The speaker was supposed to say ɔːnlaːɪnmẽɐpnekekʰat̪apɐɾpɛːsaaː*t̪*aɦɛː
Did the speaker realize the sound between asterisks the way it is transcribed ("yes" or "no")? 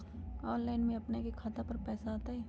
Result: yes